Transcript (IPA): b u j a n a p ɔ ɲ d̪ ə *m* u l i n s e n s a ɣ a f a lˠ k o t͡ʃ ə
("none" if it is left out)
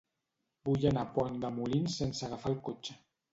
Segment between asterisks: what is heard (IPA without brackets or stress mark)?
m